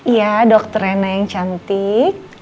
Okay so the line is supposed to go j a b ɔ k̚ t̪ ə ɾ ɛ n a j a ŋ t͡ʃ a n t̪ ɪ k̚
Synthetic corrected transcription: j a d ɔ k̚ t̪ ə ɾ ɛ n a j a ŋ t͡ʃ a n t̪ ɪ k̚